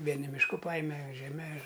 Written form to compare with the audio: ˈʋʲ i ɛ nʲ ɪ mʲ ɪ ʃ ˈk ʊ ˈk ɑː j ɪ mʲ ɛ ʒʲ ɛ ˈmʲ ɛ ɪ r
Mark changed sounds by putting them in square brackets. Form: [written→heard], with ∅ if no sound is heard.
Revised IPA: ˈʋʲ i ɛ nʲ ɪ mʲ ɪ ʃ ˈk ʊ [ˈk→ˈp] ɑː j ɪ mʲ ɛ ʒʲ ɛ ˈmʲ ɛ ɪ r